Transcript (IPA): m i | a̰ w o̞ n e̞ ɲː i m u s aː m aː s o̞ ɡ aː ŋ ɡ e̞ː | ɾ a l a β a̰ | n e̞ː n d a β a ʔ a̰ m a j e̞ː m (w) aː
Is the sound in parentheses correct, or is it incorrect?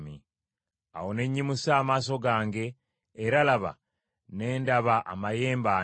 incorrect